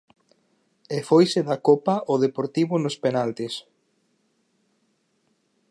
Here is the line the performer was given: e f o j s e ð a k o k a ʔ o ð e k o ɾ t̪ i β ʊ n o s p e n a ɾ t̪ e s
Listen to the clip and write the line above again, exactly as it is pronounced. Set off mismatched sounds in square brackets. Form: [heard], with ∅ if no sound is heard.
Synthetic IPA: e f o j s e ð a k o [p] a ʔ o ð e [p] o ɾ t̪ i β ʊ n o s p e n a [l] t̪ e s

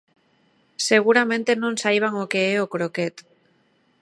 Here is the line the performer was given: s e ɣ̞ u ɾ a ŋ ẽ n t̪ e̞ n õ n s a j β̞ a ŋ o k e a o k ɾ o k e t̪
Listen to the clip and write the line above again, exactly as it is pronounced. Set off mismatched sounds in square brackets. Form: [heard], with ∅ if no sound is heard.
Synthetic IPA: s e ɣ̞ u ɾ a [m] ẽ n t̪ e̞ n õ n s a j β̞ a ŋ o k e [e] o k ɾ o k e t̪

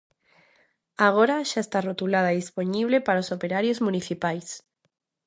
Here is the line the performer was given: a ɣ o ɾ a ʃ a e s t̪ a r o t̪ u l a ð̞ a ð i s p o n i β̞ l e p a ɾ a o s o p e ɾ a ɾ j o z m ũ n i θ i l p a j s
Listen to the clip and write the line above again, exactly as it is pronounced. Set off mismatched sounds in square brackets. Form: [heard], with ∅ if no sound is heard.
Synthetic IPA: a ɣ o ɾ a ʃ a e s t̪ a r o t̪ u l a ð̞ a ð i s p o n i β̞ l e p a ɾ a o s o p e ɾ a ɾ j o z m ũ n i θ i [∅] p a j s

